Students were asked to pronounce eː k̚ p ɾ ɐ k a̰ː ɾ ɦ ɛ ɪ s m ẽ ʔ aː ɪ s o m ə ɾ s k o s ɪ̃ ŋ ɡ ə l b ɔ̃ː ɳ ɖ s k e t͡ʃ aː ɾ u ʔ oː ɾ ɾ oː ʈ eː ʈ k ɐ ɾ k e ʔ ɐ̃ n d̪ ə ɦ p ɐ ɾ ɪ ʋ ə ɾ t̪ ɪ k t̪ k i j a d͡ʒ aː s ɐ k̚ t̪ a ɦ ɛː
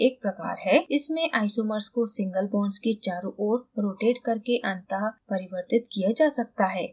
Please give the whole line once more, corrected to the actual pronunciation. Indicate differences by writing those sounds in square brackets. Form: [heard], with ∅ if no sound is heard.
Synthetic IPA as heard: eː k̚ p ɾ ɐ k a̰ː ɾ ɦ ɛ ɪ s m ẽ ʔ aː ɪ s o m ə ɾ s k o s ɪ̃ ŋ ɡ ə l b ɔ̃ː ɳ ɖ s k e t͡ʃ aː ɾ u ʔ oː ɾ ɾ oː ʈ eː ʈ k ɐ ɾ k e ʔ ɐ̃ n [t̪] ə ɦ p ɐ ɾ ɪ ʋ ə ɾ t̪ ɪ [∅] t̪ k i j a d͡ʒ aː s ɐ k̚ t̪ a ɦ ɛː